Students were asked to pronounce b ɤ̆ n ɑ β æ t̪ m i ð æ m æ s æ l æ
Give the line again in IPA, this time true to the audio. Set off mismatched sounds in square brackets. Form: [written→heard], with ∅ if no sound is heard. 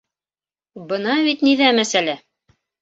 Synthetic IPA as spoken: b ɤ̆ n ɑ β [æ→i] t̪ [m→n] i ð æ m æ s æ l æ